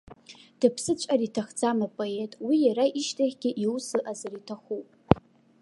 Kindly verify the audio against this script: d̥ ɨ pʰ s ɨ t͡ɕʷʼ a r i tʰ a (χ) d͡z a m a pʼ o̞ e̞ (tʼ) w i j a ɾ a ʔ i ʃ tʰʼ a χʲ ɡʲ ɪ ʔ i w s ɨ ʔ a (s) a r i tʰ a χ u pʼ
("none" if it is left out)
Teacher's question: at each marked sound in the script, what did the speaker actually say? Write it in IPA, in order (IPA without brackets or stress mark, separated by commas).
χ, tʼ, z